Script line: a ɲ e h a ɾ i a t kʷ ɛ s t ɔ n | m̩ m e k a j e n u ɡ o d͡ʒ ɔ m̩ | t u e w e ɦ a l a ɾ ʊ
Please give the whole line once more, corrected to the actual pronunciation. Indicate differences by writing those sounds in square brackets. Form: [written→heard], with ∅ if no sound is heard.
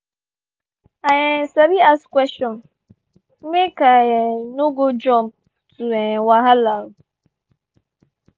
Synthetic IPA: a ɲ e [h→s] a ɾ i a [t→s] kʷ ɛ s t ɔ n | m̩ m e k a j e n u ɡ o d͡ʒ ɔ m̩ | t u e w [e→a] ɦ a l a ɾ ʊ